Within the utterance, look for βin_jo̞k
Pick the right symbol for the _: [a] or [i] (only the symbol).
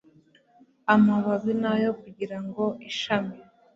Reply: a